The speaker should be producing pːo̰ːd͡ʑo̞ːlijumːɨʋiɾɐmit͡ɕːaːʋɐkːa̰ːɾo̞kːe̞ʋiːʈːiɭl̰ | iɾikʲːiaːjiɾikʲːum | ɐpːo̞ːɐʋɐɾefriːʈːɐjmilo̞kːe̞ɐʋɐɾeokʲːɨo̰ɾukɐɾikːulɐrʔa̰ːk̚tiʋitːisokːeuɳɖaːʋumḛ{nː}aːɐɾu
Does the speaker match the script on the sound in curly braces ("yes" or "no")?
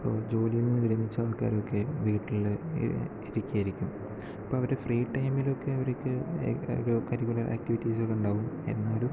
yes